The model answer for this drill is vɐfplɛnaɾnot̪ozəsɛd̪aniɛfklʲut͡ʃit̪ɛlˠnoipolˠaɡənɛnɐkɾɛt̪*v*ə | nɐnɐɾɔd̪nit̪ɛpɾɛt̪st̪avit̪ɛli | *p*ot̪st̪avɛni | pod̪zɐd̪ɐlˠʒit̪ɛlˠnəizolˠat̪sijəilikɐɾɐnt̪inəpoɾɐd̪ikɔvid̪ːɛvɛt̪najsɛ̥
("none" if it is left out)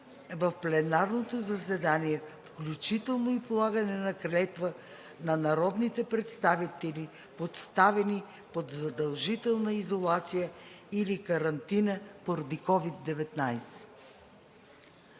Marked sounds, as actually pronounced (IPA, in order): v, p

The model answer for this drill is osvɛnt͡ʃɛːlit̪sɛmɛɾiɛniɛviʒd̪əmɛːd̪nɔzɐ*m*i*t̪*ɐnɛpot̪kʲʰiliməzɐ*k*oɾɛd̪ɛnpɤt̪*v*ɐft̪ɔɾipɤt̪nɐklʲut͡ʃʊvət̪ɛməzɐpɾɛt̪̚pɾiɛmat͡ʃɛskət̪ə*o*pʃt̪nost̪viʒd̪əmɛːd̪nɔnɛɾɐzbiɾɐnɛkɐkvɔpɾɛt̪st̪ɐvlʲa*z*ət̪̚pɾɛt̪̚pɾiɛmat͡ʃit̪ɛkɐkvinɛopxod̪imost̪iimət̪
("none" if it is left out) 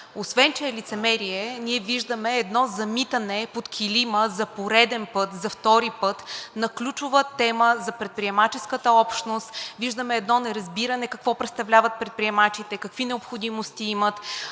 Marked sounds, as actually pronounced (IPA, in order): m, t̪, p, z, ɔ, v

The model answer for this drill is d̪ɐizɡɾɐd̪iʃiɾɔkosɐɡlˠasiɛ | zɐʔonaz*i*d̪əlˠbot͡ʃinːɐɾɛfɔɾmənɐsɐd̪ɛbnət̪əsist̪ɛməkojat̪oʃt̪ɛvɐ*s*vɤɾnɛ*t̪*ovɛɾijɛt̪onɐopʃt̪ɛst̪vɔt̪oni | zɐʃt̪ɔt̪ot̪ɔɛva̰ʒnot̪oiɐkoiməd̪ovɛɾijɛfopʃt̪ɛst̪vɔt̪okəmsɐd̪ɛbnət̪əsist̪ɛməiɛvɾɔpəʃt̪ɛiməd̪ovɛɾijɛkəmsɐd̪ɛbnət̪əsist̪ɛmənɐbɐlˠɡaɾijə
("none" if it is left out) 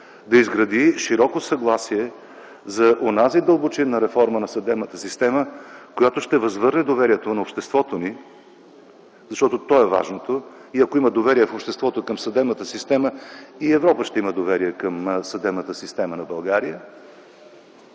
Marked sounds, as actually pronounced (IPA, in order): i, z, d̪

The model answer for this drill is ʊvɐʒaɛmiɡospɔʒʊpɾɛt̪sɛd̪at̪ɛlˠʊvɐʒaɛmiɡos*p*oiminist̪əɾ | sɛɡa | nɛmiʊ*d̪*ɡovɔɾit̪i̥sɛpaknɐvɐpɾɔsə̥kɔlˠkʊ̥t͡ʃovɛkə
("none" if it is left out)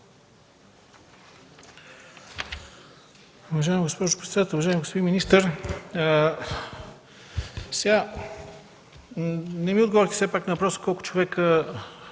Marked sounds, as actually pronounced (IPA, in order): p, d̪

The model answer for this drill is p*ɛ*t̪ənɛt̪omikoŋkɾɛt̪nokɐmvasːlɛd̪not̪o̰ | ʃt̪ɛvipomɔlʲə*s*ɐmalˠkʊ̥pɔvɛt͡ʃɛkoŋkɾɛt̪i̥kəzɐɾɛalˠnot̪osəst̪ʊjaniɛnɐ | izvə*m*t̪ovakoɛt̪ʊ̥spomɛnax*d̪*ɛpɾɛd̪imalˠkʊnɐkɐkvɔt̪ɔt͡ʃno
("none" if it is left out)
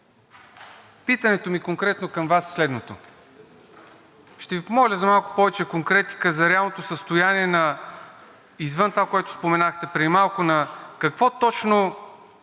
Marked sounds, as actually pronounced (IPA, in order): i, z, n, t̪

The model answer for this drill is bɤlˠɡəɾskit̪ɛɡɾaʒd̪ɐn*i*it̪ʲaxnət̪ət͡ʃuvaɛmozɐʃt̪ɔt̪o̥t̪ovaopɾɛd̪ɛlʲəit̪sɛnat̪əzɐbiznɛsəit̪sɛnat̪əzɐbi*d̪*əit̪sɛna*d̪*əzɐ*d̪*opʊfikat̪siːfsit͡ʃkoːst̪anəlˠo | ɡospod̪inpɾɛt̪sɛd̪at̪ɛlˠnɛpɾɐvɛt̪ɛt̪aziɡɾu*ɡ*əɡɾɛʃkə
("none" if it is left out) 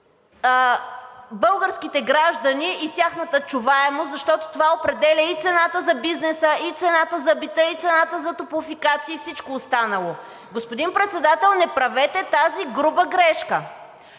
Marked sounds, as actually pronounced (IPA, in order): i, t̪, t̪, t̪, b

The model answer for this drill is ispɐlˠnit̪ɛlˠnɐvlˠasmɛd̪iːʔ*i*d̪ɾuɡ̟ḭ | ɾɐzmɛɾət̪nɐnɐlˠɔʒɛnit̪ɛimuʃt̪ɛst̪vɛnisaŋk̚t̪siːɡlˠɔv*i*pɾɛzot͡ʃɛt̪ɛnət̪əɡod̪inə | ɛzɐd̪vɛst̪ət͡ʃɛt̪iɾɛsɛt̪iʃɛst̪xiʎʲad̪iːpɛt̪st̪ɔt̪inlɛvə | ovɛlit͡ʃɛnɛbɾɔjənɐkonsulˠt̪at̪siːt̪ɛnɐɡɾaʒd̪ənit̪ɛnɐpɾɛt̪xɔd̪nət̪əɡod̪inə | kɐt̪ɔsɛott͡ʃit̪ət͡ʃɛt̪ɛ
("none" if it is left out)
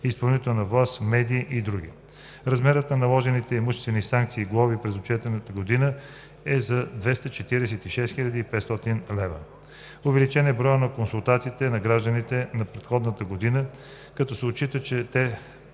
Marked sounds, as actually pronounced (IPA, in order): i, i

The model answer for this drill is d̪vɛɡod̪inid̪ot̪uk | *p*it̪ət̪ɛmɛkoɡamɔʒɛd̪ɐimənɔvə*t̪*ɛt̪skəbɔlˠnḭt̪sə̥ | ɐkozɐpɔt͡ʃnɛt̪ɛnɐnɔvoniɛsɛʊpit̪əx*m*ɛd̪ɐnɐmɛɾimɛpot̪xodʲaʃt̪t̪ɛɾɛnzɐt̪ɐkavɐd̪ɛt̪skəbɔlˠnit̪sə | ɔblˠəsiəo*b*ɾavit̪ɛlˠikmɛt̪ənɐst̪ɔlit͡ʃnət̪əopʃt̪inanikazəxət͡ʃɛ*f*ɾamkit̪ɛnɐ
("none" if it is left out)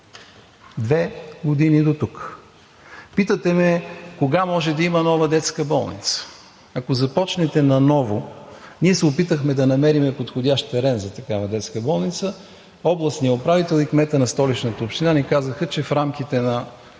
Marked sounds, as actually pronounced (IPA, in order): p, d̪, m, p, f

